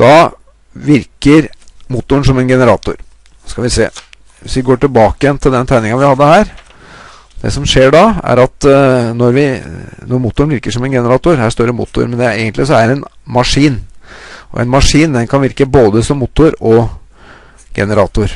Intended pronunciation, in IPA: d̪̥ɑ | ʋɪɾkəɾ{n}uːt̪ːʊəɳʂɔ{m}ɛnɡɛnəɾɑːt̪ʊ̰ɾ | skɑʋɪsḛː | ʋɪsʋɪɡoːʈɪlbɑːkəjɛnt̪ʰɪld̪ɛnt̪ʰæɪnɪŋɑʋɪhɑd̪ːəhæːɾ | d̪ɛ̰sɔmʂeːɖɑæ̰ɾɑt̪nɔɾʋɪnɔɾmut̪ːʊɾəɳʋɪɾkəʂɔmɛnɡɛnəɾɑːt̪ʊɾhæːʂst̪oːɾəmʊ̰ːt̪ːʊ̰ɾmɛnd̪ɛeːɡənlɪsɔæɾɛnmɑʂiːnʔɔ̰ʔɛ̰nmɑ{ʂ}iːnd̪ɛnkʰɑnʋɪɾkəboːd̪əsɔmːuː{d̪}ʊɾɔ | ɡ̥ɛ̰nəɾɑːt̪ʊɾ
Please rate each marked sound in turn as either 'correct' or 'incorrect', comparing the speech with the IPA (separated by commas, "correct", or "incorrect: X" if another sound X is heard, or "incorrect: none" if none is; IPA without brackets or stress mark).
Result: incorrect: m, correct, correct, incorrect: t̪